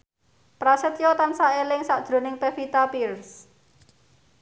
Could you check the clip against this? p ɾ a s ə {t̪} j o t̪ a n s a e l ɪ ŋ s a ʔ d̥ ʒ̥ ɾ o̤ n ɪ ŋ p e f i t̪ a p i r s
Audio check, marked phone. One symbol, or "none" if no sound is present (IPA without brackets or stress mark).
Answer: t̪